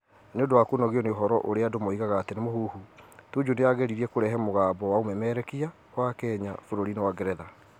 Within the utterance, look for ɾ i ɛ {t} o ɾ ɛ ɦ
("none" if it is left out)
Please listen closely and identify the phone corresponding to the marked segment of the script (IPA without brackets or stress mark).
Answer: k